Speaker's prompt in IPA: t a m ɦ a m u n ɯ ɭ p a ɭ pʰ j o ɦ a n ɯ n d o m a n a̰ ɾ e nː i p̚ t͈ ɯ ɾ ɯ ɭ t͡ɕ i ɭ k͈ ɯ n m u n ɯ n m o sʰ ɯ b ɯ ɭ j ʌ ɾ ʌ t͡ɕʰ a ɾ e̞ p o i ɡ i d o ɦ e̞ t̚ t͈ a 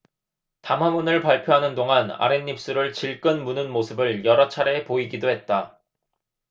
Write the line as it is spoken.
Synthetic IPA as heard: t a m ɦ a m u n ɯ ɭ p a ɭ pʰ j o ɦ a n ɯ n d o ŋ a n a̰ ɾ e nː i p̚ s͈ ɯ ɾ ɯ ɭ t͡ɕ i ɭ k͈ ɯ n m u n ɯ n m o sʰ ɯ b ɯ ɭ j ʌ ɾ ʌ t͡ɕʰ a ɾ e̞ p o i ɡ i d o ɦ e̞ t̚ t͈ a